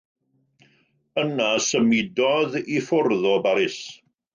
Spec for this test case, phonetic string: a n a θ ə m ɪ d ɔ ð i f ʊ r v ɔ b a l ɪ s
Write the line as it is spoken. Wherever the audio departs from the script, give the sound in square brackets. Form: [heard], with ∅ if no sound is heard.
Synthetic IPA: [ə] n a [s] ə m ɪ d ɔ ð i f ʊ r [ð] ɔ b a [ɾ] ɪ s